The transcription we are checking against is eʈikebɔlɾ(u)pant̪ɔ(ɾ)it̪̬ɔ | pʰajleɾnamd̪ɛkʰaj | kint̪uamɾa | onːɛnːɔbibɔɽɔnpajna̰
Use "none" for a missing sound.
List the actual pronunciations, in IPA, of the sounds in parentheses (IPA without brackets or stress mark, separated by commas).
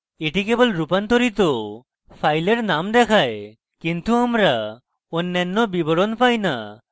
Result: u, ɾ